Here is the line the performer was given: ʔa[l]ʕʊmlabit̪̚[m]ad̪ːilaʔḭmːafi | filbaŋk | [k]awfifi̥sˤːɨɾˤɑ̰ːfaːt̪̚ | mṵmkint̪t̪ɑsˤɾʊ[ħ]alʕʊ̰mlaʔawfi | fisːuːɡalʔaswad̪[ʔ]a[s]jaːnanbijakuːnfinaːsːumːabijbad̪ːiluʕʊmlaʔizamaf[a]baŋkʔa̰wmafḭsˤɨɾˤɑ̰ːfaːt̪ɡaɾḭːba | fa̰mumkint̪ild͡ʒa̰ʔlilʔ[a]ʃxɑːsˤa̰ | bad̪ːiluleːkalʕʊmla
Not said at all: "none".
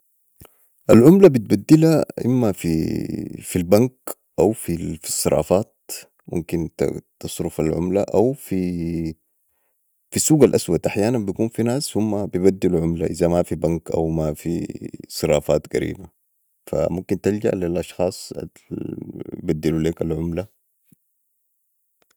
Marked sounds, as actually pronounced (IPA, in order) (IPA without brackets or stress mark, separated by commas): l, b, ʔ, f, ʔ, ħ, i, ɑ